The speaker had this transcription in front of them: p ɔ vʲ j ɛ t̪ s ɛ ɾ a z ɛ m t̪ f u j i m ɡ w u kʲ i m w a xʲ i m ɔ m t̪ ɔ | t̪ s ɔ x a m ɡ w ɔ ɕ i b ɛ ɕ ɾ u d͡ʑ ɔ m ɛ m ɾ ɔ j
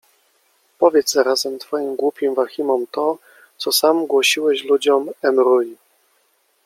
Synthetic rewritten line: p ɔ vʲ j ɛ t̪ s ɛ ɾ a z ɛ m t̪ f ɔ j i m ɡ w u pʲ i m v a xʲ i m ɔ m t̪ ɔ | t̪ s ɔ s a m ɡ w ɔ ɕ i w ɛ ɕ l u d͡ʑ ɔ m ɛ m ɾ u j